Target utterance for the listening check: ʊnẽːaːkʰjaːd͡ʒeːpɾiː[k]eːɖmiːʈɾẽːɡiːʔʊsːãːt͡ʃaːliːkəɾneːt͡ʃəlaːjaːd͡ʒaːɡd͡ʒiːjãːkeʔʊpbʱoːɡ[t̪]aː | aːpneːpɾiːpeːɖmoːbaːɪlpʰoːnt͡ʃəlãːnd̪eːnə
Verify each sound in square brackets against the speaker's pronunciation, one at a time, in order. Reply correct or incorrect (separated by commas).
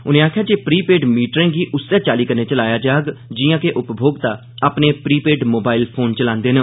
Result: incorrect, correct